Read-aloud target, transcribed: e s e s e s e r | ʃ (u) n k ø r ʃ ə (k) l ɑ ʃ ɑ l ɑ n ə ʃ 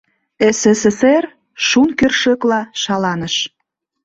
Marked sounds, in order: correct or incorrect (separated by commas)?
correct, correct